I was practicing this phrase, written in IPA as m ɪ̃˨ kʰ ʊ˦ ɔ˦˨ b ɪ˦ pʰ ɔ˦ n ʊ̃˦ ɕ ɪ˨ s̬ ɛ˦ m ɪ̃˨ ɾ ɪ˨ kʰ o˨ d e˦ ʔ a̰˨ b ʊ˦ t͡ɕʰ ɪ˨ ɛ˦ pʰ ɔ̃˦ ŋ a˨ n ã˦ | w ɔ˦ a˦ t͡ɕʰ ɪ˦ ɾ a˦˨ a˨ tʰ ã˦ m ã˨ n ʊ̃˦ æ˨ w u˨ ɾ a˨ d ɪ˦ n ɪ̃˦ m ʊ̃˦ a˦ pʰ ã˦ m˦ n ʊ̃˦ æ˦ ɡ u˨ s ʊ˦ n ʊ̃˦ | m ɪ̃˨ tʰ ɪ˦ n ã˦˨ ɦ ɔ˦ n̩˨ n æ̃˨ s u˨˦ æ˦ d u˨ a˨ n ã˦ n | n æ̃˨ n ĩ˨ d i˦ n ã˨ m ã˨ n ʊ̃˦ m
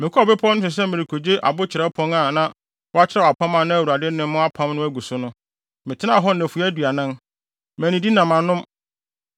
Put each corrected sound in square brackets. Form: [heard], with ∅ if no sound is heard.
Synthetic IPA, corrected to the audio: m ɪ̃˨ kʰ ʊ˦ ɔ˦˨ b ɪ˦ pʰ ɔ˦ n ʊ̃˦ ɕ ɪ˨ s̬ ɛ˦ m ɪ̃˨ ɾ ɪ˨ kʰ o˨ [d͡ʑ] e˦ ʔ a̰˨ b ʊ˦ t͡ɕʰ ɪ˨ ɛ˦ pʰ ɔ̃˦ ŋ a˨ n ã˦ | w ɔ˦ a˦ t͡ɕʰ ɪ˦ ɾ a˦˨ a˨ [pʰ] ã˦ m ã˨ n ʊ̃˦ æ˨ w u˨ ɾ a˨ d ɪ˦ n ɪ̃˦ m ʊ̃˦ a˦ pʰ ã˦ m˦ n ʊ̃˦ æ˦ ɡ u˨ s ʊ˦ n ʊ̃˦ | m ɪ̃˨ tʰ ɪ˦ n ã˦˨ ɦ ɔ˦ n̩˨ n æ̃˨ [f] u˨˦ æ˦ d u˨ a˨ n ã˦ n | [m] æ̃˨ n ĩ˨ d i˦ n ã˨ m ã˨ n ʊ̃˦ m